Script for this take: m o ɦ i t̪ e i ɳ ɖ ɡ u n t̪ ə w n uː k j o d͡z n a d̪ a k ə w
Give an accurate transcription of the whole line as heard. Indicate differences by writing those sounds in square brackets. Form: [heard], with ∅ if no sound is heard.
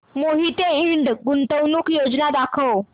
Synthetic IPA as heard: m o ɦ i t̪ e i ɳ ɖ ɡ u n t̪ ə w n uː k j o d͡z n a d̪ a [kʰ] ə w